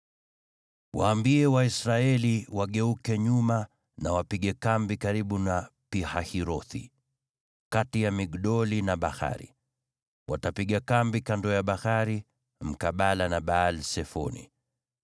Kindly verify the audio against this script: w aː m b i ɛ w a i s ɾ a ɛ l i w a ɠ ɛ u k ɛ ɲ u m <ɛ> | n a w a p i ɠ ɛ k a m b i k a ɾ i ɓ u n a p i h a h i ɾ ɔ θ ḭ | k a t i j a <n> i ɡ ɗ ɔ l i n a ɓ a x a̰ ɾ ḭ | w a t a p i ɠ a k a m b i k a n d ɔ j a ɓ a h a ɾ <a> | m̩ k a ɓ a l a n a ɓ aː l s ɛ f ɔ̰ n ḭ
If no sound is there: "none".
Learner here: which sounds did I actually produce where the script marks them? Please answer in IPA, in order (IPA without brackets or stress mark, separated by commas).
a, m, i